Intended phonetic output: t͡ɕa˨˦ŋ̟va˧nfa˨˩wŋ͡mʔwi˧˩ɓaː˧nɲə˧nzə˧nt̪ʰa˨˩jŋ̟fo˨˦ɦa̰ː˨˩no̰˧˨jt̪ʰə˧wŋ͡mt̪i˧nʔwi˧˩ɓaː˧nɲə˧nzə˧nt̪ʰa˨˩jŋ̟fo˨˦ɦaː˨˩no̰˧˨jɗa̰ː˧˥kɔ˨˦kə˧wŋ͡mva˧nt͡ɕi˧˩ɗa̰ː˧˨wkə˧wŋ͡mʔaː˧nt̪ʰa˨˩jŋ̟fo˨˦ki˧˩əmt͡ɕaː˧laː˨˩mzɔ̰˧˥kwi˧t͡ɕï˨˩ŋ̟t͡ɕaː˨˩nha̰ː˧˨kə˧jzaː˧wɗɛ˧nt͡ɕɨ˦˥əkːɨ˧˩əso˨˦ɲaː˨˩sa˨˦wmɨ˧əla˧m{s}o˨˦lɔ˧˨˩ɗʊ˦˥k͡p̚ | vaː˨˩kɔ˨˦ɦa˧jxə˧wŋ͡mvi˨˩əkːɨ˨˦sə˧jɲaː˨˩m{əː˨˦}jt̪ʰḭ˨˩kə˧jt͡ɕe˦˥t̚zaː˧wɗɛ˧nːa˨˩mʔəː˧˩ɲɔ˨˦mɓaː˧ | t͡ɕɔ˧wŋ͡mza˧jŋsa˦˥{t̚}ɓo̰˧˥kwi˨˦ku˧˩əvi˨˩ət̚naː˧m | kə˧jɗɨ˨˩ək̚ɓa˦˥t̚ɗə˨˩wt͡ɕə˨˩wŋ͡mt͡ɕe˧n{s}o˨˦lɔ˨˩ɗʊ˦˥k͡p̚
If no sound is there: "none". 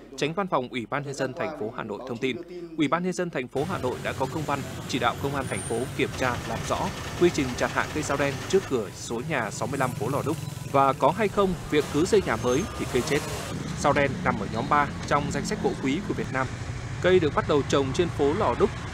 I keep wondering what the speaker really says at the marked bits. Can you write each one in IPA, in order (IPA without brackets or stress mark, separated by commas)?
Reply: f, əː˨˦, k̚, f